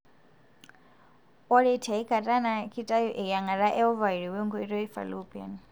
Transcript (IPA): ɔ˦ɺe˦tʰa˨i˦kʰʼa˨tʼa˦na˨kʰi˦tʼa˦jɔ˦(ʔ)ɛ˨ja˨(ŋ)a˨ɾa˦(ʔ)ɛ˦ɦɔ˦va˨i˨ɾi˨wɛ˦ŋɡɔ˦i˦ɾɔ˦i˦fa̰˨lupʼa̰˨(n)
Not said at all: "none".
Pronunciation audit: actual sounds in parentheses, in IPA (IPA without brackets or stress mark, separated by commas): ʔ, ŋ, ʔ, n